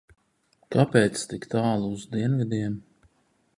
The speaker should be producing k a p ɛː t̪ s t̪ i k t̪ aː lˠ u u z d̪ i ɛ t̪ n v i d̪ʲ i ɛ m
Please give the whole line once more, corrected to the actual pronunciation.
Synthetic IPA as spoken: k a p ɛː t̪ s t̪ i k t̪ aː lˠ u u z d̪ i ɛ n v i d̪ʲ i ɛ m